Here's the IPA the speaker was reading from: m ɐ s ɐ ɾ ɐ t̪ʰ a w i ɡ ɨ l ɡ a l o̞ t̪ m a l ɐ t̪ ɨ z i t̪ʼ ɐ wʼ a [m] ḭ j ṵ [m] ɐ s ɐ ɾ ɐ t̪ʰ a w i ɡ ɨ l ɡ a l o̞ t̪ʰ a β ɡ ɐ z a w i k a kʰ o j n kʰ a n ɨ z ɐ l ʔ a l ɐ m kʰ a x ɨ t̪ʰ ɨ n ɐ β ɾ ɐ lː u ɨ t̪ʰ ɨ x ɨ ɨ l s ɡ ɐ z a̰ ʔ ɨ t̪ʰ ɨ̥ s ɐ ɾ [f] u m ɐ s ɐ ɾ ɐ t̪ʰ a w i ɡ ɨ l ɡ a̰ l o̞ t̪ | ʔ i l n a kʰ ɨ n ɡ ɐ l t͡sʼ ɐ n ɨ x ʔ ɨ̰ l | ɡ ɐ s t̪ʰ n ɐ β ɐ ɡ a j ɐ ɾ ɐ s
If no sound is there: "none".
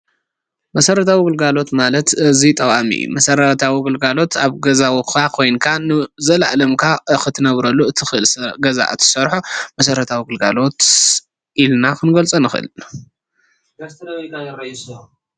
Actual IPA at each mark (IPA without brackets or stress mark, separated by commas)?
m, m, ħ